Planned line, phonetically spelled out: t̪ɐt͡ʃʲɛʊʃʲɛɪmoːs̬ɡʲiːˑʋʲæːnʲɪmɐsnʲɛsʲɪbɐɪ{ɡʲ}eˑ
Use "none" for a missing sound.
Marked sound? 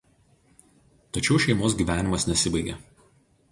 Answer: ɡʲ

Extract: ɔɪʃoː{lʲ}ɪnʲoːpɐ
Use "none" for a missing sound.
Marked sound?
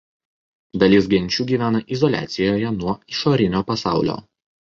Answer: ɾʲ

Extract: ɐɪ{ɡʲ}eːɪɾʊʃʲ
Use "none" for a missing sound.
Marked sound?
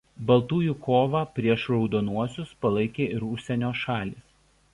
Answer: kʲ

